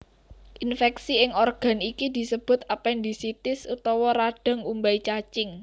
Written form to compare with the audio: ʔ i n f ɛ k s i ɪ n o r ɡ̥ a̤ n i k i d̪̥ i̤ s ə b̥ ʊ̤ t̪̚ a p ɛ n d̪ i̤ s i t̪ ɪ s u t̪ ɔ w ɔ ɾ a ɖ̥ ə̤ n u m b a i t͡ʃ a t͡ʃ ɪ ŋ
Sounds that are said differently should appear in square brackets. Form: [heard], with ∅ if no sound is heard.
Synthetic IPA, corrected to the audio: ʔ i n f ɛ k s i ɪ [ŋ] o r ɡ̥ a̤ n i k i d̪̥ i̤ s ə b̥ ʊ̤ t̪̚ a p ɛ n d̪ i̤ s i t̪ ɪ s u t̪ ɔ w ɔ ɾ a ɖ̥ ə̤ [ŋ] u m b a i t͡ʃ a t͡ʃ ɪ ŋ

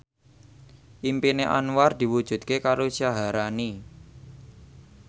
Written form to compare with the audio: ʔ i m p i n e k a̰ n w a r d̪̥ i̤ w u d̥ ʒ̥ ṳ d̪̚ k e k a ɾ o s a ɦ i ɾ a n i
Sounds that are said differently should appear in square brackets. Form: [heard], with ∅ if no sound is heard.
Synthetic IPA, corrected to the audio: ʔ i m p i n e [ʔ] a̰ n w a r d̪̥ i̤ w u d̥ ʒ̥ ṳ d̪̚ k e k a ɾ o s a ɦ [a] ɾ a n i

